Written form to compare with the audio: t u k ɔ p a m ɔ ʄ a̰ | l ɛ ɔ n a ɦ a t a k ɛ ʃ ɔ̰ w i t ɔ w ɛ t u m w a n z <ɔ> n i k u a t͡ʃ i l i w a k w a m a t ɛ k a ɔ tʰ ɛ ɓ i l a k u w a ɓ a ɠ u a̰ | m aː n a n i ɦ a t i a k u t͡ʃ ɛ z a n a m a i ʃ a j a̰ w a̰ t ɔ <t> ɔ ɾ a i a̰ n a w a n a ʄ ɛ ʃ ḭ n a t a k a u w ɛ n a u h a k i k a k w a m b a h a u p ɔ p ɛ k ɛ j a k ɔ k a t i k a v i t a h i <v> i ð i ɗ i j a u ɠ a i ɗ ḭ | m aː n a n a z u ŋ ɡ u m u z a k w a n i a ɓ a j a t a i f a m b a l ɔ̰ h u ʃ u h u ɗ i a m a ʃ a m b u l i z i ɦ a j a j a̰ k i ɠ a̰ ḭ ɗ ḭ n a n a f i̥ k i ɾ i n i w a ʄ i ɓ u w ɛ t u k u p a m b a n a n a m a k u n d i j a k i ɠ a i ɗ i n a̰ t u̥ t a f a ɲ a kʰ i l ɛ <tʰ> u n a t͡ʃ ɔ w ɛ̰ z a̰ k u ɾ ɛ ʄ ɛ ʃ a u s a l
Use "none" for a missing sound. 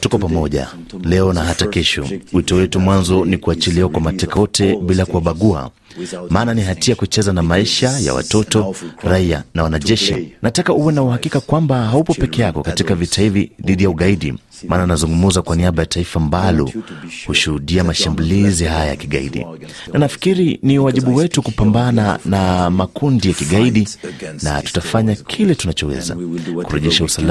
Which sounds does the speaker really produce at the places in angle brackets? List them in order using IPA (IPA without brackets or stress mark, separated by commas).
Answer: ɔ, t, v, t